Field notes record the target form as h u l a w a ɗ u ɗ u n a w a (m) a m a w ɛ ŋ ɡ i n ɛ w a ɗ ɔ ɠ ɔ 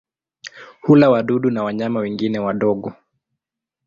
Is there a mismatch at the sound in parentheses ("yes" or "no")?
yes